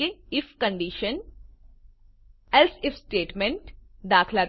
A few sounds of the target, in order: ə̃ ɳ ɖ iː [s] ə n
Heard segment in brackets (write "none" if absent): ʃ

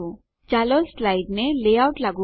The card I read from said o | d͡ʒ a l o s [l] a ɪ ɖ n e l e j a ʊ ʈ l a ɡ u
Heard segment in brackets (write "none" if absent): l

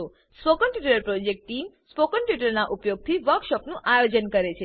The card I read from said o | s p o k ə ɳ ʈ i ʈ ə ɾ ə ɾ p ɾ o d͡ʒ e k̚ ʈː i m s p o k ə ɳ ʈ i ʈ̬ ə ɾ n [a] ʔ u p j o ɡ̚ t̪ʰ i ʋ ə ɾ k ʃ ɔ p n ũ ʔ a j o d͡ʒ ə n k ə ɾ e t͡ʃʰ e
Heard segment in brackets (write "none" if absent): a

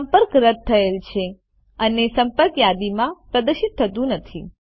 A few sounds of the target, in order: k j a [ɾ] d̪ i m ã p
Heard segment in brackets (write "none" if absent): none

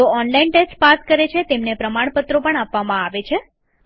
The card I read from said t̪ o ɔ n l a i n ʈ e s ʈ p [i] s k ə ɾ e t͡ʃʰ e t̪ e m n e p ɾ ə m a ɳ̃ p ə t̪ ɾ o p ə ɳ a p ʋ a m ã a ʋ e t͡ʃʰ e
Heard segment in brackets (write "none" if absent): a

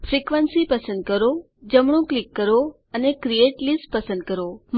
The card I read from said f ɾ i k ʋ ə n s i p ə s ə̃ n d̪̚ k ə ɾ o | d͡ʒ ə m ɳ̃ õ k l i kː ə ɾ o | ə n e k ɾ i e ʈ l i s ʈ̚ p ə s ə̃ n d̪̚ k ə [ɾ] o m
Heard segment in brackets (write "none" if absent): ɾ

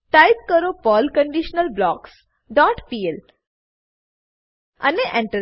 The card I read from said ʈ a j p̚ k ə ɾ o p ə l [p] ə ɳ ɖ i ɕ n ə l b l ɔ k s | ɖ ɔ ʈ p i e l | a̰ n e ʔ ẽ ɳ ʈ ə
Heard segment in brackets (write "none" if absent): k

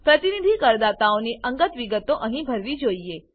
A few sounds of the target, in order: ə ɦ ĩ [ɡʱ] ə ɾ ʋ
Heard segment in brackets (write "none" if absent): bʱ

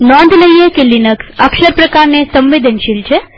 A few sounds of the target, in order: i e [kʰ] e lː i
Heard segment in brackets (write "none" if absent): k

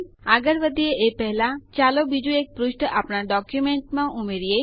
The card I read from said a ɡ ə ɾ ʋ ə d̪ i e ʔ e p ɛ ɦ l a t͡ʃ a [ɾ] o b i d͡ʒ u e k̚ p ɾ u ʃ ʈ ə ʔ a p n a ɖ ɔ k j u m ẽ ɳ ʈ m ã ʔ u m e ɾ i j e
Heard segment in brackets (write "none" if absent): l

